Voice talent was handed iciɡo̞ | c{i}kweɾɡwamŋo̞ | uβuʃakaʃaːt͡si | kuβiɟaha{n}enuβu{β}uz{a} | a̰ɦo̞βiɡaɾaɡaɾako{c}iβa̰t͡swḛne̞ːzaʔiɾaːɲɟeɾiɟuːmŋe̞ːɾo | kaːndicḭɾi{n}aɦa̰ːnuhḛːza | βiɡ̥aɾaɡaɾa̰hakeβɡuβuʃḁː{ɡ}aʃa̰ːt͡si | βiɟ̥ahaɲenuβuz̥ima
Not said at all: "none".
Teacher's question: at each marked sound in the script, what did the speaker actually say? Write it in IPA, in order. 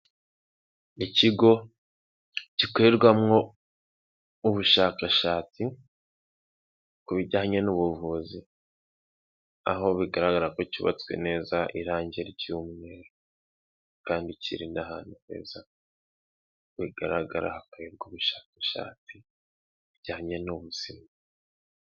i, ɲ, v, i, c, n, k

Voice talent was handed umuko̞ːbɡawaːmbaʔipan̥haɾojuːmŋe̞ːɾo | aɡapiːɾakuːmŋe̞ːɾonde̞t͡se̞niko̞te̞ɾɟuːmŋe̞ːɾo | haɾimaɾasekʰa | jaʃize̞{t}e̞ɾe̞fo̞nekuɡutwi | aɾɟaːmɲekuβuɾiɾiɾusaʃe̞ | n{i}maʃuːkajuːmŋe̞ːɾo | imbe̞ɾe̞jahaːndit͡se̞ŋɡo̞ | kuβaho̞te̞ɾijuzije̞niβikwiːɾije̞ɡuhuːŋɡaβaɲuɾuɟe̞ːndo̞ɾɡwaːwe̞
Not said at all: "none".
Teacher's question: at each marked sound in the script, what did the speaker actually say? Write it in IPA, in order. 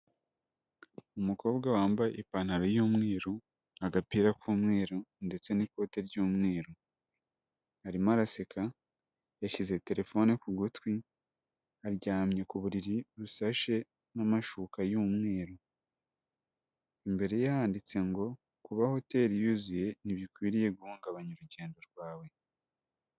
t, a

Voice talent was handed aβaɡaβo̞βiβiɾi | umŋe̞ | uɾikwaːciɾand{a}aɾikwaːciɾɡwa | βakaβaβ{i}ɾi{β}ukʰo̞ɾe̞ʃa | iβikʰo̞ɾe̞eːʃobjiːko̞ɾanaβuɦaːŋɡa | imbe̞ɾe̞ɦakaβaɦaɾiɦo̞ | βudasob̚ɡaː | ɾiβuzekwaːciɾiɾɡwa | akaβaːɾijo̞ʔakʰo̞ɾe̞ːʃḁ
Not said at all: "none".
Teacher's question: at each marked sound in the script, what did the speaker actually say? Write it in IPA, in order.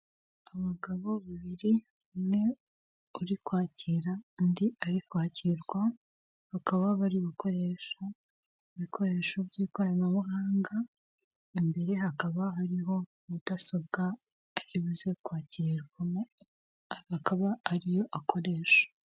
i, a, β

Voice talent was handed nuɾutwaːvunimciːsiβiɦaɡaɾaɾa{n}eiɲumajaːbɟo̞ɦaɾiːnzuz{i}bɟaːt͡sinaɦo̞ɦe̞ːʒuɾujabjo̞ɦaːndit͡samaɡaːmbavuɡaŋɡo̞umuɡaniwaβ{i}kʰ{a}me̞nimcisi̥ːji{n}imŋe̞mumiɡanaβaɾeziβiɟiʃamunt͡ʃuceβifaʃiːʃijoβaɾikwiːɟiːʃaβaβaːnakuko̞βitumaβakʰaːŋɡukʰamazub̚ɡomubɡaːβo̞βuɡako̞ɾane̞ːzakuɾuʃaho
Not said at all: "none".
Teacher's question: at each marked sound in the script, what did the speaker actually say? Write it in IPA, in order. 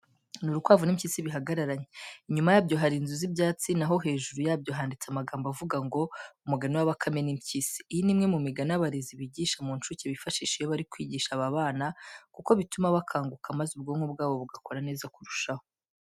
ɲ, i, a, a, n

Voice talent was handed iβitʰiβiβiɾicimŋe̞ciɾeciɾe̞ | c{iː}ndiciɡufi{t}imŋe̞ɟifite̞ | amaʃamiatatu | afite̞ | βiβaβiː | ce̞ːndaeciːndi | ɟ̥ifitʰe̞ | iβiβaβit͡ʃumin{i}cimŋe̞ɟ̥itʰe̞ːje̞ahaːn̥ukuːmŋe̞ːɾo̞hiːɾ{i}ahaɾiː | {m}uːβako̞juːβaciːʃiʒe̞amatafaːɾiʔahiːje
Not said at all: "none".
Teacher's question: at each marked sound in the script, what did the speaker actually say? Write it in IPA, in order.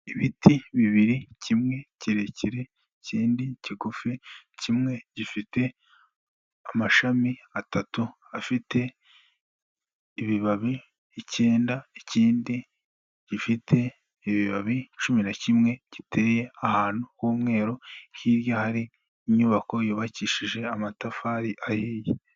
iː, c, a, j, ɲ

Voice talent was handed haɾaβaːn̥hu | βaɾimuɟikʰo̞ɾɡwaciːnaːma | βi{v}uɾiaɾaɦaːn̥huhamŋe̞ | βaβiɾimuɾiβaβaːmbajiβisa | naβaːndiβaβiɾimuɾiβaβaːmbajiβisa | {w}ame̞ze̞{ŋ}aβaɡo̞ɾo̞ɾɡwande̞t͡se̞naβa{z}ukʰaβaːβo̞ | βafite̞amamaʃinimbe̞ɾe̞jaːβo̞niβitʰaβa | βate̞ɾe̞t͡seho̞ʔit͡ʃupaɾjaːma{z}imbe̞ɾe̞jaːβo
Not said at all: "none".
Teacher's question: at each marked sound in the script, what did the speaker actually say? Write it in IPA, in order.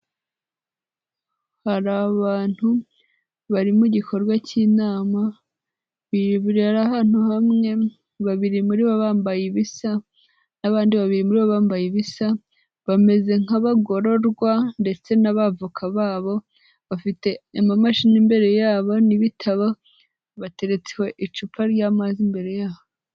β, β, ŋ, v, z

